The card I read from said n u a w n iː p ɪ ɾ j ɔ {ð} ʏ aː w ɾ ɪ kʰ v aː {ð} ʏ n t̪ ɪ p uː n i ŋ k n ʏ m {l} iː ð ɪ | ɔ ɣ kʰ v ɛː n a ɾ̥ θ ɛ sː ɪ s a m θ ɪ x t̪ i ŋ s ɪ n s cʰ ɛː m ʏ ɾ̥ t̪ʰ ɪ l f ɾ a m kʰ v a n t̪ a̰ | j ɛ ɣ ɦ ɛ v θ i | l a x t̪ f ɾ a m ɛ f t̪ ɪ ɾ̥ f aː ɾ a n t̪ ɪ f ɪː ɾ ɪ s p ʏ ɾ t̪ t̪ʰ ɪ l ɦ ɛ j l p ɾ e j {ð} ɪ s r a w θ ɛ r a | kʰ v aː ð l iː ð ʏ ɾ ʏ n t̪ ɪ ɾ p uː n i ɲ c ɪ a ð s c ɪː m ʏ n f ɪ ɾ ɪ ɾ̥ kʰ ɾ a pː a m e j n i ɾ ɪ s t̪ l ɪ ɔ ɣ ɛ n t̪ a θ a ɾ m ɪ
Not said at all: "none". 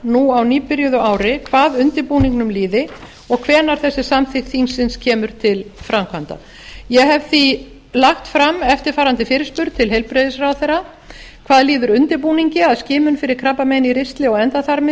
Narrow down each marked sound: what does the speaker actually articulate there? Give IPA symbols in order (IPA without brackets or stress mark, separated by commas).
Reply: ð, ð, l, ð